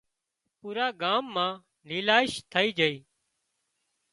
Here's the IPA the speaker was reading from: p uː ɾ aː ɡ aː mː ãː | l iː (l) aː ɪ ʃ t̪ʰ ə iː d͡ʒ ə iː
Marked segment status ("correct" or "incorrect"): correct